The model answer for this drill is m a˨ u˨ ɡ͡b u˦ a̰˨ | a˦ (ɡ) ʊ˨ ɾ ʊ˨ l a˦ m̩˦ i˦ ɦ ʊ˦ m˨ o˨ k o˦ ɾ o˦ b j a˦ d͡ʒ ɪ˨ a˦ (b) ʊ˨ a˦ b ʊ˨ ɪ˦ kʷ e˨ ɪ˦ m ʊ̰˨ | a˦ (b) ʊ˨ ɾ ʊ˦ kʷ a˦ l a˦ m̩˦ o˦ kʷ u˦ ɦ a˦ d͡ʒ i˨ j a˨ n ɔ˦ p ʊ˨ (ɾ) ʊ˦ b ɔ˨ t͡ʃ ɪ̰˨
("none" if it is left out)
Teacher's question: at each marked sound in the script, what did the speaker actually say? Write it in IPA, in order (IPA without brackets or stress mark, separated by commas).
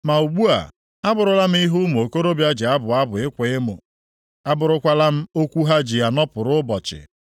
b, b, b, ɾ